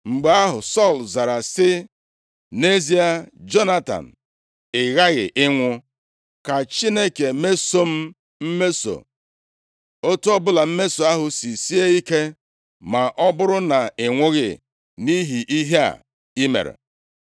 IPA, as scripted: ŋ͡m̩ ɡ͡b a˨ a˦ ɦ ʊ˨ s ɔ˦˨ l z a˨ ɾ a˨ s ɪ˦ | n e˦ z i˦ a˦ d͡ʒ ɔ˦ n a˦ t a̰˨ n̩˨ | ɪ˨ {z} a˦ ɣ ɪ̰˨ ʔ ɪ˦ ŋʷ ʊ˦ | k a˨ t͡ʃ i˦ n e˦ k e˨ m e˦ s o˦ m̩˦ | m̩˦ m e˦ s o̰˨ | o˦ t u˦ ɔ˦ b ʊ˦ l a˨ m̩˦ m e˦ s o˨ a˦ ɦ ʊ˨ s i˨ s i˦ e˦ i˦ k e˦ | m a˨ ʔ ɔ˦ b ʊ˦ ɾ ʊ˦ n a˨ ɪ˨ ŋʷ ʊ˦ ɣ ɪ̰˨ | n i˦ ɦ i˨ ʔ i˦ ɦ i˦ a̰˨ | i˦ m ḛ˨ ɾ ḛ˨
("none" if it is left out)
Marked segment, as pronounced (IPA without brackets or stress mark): ɣ